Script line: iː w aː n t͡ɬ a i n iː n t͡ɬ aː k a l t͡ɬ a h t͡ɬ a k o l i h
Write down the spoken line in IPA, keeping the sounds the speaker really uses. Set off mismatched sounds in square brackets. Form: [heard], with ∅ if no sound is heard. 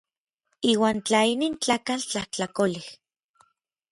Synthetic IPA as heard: iː w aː n t͡ɬ a i n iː n t͡ɬ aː k a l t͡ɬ a h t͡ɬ a k o l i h